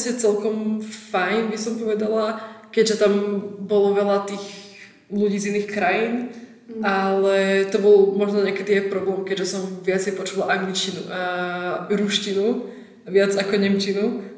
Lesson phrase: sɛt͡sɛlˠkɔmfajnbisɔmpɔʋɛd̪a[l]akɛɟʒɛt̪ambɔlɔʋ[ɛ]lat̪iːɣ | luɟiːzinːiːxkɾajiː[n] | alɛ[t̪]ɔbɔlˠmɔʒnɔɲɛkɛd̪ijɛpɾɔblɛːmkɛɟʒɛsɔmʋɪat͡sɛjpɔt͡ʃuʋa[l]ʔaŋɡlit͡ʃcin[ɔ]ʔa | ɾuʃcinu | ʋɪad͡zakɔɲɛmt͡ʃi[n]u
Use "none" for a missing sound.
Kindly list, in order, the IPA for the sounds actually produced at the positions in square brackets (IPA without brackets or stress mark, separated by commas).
l, ɛ, n, t̪, l, u, n